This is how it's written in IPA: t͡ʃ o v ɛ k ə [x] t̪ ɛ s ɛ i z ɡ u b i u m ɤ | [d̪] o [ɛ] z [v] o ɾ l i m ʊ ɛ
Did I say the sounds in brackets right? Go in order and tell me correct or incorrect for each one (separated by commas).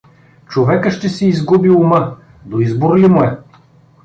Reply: incorrect, correct, incorrect, incorrect